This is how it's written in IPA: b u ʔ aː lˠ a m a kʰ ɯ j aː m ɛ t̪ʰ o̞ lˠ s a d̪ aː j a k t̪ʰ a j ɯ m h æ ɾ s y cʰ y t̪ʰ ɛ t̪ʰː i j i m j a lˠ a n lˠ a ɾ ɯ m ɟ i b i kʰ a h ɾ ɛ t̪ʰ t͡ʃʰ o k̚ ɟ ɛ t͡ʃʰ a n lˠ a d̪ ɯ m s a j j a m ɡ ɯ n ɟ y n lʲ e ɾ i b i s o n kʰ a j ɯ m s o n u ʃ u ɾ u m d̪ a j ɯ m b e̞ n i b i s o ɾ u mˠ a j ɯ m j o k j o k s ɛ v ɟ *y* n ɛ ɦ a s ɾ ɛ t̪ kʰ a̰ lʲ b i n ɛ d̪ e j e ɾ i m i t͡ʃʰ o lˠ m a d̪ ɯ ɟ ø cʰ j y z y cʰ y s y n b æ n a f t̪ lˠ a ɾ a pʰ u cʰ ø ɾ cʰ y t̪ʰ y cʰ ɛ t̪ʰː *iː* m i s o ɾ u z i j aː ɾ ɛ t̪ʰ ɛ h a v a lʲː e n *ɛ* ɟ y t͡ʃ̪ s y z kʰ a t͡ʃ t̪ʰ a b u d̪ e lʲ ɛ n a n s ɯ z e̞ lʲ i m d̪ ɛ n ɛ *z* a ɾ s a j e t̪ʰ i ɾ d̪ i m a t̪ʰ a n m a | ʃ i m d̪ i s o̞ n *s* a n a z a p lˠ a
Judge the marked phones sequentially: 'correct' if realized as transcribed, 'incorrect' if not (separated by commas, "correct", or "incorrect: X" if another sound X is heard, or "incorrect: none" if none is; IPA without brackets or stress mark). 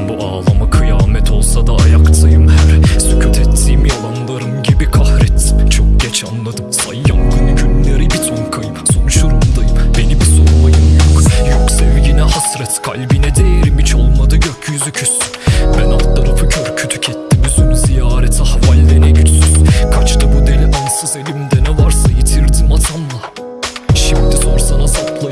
incorrect: i, incorrect: i, correct, incorrect: v, correct